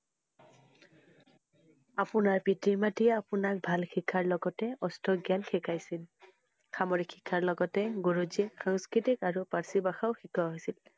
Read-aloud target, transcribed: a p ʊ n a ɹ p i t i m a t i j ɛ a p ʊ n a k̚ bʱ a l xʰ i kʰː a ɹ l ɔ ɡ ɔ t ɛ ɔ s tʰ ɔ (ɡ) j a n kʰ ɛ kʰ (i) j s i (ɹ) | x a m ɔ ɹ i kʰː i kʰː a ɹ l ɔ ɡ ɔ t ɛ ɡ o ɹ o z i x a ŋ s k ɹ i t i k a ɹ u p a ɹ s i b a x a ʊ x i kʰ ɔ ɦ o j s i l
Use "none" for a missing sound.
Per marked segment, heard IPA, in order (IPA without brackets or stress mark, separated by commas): ɡ, a, l